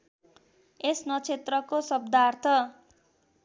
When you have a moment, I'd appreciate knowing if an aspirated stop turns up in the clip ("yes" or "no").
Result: yes